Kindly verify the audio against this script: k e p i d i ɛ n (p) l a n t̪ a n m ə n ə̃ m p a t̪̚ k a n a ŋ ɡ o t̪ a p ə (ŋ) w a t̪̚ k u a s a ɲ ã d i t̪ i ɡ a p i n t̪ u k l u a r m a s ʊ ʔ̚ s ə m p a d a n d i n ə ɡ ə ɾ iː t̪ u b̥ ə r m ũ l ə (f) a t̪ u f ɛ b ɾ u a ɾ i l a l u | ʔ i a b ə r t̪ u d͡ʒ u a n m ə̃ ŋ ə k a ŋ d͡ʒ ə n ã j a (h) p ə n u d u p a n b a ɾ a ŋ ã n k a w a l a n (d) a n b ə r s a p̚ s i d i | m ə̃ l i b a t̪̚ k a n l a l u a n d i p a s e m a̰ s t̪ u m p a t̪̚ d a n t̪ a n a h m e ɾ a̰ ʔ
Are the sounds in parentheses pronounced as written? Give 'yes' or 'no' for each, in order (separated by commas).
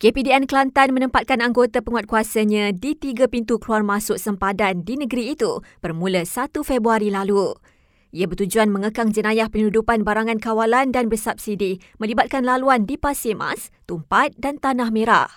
no, yes, no, yes, yes